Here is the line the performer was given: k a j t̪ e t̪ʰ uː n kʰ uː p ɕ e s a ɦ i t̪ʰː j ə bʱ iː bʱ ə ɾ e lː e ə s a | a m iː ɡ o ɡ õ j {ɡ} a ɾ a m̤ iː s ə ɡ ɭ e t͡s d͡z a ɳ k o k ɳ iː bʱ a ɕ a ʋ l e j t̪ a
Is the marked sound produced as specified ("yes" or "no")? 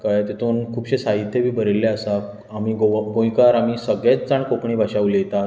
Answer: no